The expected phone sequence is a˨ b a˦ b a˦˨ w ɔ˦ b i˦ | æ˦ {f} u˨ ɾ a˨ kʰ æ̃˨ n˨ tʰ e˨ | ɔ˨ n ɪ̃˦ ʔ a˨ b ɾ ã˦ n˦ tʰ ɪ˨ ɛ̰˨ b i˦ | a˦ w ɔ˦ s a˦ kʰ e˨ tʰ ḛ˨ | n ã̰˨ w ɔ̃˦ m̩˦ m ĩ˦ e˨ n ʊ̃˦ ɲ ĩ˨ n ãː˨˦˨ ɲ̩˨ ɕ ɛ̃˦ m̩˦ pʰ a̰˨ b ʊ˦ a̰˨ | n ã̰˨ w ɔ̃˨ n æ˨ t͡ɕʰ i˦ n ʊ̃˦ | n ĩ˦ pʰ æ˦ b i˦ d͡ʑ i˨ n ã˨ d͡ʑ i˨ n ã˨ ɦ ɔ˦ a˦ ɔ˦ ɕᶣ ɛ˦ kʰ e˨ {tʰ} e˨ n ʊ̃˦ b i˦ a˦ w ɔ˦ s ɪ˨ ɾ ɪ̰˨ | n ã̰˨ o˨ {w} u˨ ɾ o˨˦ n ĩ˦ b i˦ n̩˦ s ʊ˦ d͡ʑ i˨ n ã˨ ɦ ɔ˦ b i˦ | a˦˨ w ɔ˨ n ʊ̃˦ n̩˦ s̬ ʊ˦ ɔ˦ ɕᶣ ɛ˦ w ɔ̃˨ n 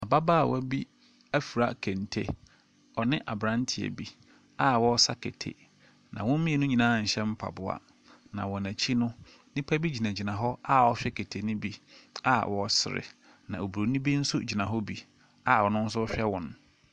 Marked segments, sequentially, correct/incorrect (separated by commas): correct, correct, incorrect